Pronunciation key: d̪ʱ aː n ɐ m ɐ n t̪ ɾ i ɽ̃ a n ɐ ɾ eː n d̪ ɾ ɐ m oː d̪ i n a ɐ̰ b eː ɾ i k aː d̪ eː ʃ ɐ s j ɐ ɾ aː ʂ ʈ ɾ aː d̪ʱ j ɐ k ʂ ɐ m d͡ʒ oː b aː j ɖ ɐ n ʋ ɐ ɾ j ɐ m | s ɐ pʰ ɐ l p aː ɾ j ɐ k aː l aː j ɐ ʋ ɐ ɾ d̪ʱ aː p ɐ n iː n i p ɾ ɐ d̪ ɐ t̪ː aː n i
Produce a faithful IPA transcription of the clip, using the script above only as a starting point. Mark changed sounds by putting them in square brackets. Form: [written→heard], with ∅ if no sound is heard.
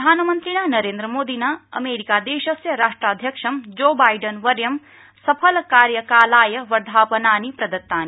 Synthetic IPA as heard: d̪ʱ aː n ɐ m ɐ n t̪ ɾ i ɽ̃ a n ɐ ɾ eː n d̪ ɾ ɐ m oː d̪ i n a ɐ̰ [b→m] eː ɾ i k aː d̪ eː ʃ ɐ s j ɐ ɾ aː ʂ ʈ ɾ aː d̪ʱ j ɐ k ʂ ɐ m d͡ʒ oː b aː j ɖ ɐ n ʋ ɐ ɾ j ɐ m | s ɐ pʰ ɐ l [p→k] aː ɾ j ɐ k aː l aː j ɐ ʋ ɐ ɾ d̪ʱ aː p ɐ n [iː→aː] n i p ɾ ɐ d̪ ɐ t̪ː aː n i